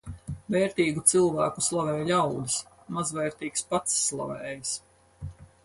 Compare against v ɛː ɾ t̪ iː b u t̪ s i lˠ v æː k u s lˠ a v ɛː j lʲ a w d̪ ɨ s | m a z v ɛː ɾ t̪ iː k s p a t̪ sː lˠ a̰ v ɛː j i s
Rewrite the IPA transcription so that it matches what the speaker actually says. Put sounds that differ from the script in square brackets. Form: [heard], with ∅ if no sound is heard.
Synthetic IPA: v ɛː ɾ t̪ iː [ɡ] u t̪ s i lˠ v æː k u s lˠ a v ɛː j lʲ a w d̪ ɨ s | m a z v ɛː ɾ t̪ iː k s p a t̪ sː lˠ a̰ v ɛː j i s